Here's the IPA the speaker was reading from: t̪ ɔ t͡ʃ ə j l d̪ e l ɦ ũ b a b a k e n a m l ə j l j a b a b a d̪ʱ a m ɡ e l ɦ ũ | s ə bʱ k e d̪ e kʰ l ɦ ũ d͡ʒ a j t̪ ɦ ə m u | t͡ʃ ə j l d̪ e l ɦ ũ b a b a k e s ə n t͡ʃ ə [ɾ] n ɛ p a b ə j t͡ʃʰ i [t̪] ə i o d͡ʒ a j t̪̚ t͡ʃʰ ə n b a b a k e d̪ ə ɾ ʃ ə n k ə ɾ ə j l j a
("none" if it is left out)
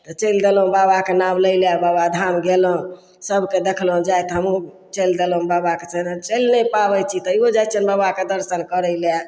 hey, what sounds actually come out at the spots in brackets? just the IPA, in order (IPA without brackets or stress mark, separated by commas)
l, t̪